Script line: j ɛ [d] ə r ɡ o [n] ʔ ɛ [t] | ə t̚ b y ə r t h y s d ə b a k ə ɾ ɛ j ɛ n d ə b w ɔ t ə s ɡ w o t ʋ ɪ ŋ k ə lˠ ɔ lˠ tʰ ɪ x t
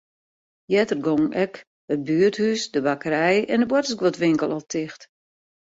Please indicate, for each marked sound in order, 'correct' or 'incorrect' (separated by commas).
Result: incorrect, incorrect, incorrect